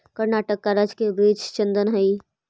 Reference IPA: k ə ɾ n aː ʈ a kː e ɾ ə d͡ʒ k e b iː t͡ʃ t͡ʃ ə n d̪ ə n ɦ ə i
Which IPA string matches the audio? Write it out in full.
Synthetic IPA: k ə ɾ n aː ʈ ə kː a ɾ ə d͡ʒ k e b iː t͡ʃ t͡ʃ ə n d̪ ə n ɦ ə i